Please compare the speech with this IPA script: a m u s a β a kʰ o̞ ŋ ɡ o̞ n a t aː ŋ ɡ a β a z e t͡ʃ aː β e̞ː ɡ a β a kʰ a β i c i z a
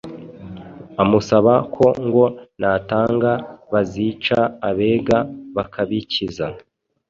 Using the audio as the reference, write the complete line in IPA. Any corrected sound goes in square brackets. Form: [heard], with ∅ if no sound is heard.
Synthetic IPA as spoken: a m u s a β a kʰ o̞ ŋ ɡ o̞ n a t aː ŋ ɡ a β a z [i] t͡ʃ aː β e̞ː ɡ a β a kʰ a β i c i z a